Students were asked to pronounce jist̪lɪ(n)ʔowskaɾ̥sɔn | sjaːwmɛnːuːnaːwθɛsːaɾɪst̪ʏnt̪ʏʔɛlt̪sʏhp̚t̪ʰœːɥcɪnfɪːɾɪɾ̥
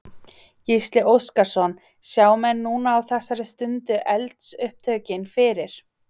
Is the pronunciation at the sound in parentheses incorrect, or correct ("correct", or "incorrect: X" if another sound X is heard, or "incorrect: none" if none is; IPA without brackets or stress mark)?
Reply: incorrect: none